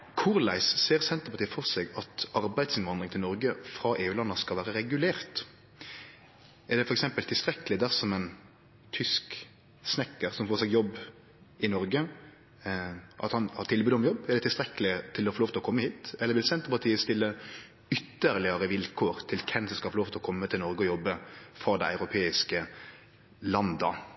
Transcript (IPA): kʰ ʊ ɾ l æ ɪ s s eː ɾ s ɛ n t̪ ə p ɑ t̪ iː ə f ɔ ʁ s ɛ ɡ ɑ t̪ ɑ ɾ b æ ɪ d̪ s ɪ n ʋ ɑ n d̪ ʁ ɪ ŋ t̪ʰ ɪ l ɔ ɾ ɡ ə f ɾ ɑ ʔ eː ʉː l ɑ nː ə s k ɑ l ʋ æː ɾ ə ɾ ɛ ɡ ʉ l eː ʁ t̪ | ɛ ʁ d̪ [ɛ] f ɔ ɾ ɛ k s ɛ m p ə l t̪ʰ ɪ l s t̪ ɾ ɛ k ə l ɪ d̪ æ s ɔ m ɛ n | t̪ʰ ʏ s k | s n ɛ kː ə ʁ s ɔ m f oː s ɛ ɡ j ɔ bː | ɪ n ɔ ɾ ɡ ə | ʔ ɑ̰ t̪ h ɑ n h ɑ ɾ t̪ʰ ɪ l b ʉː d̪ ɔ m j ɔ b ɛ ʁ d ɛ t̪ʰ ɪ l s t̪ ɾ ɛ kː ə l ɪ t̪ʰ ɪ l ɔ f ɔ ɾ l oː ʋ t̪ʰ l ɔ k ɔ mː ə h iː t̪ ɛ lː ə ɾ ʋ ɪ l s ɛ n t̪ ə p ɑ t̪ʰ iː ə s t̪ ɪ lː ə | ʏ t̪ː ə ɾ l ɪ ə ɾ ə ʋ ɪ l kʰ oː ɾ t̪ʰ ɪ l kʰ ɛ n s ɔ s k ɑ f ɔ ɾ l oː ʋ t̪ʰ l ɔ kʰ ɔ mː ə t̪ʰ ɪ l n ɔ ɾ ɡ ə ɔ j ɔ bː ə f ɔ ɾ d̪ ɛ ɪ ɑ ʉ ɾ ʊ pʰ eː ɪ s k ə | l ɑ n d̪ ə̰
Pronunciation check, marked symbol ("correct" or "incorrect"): correct